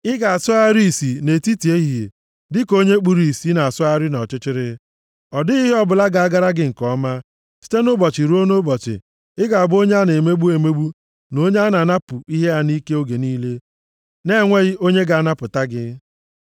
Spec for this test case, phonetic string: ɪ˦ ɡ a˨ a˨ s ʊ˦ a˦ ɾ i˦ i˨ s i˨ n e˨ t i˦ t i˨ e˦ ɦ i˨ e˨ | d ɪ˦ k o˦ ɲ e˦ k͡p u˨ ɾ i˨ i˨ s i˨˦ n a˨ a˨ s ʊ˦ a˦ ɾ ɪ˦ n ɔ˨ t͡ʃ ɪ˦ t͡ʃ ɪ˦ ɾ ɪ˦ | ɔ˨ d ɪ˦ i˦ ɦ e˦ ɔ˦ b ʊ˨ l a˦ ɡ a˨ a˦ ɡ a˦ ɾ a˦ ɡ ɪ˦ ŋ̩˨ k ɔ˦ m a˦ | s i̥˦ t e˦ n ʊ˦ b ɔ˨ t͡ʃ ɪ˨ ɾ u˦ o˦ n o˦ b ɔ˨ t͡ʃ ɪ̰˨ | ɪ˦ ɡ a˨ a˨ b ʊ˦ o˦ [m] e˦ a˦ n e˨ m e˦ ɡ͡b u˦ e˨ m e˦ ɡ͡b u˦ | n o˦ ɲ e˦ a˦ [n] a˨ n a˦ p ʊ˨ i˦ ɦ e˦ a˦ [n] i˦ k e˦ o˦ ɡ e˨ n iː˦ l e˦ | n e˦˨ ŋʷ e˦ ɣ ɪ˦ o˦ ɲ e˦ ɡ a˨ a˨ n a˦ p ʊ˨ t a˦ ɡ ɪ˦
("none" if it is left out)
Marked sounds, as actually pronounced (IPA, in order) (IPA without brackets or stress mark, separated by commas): ɲ, n, n